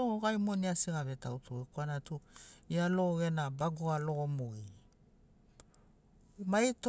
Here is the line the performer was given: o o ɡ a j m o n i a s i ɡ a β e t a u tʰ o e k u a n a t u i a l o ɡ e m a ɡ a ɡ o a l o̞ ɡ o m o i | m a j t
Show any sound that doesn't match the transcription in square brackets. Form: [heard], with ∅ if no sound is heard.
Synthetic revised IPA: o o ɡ a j m o n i a s i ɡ a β e t a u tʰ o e k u a n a t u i a l o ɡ e [n] a [b] a ɡ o a l o̞ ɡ o m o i | m a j t